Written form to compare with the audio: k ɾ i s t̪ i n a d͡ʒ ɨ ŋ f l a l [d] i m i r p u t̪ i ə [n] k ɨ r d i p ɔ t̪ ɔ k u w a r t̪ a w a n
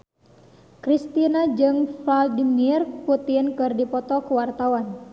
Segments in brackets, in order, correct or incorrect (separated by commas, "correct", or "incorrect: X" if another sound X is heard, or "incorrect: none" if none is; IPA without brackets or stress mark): correct, correct